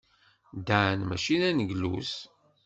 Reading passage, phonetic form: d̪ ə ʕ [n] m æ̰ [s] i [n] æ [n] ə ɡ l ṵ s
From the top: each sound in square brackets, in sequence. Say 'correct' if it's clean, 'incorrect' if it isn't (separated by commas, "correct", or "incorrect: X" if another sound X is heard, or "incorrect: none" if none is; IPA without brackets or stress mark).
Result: correct, incorrect: ʃ, correct, correct